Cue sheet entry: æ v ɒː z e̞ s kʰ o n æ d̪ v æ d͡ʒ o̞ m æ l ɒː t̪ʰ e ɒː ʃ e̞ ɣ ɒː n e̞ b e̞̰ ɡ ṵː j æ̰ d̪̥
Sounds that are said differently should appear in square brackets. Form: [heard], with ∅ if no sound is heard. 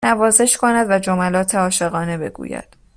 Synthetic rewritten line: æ v ɒː z e̞ [ʃ] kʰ o n æ d̪ v æ d͡ʒ o̞ m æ l ɒː t̪ʰ e ɒː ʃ e̞ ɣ ɒː n e̞ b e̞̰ ɡ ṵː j æ̰ d̪̥

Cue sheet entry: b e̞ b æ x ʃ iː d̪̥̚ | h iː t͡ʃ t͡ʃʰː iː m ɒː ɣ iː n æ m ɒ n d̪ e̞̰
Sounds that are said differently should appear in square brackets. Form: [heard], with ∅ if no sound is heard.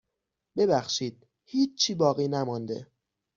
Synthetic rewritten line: b e̞ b æ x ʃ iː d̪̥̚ | h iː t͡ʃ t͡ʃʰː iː [b] ɒː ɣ iː n æ m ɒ n d̪ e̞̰

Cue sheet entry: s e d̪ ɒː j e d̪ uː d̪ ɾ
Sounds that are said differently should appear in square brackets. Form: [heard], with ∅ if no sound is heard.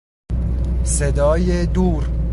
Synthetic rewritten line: s e d̪ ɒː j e d̪ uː [∅] ɾ

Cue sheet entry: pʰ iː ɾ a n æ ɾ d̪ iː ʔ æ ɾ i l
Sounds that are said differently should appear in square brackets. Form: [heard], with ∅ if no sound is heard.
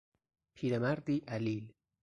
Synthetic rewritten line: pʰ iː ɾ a [m] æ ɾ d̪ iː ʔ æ [l] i l

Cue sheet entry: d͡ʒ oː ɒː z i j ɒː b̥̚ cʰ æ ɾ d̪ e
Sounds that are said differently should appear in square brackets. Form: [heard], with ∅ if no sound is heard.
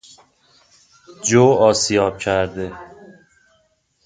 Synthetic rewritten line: d͡ʒ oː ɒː [s] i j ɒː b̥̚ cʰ æ ɾ d̪ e

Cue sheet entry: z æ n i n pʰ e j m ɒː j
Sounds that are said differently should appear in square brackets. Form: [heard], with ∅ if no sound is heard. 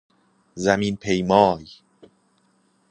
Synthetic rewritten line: z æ [m] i n pʰ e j m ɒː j

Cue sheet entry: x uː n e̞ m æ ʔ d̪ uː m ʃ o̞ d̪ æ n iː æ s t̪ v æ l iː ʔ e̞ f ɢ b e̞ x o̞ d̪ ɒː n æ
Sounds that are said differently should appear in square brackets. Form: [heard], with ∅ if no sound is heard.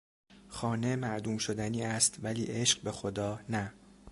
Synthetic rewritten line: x [ɒː] n e̞ m æ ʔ d̪ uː m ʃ o̞ d̪ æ n iː æ s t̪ v æ l iː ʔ e̞ [ʃ] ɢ b e̞ x o̞ d̪ ɒː n æ

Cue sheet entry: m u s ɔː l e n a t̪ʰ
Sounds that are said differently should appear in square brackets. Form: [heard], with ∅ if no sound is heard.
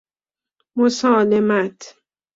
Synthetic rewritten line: m [o] s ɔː l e [m] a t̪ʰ

